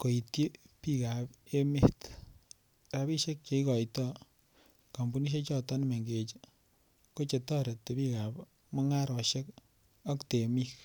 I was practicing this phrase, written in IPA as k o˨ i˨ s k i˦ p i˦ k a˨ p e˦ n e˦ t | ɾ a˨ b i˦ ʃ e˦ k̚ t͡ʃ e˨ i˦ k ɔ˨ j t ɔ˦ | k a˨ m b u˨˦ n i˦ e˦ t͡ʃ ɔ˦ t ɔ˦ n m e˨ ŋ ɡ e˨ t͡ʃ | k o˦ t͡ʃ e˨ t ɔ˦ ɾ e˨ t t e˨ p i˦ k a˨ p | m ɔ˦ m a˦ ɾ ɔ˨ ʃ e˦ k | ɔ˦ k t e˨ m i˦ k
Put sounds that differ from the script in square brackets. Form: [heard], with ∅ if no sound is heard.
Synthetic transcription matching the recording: k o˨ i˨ [t] k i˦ p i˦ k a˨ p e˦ [m] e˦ t | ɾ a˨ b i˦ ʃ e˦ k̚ t͡ʃ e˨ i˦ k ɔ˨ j t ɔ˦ | k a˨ m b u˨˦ n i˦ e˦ t͡ʃ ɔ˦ t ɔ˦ n m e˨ ŋ ɡ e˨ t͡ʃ | k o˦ t͡ʃ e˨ t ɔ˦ ɾ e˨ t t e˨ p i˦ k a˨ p | m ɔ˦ [ŋ] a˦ ɾ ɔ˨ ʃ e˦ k | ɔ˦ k t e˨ m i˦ k